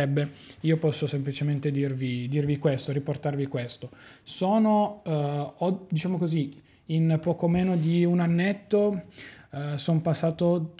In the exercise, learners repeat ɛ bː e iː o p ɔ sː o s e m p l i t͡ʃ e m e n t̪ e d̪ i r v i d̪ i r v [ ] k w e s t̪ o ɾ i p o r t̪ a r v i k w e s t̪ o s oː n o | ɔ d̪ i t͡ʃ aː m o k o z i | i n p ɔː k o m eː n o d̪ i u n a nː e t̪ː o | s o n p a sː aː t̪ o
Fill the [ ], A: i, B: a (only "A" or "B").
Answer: A